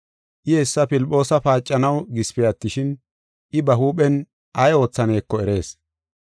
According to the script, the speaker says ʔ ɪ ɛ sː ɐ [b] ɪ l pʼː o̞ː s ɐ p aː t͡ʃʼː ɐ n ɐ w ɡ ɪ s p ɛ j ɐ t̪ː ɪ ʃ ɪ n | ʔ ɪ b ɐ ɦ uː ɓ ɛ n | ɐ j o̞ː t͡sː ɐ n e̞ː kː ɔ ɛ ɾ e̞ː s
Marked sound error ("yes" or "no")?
yes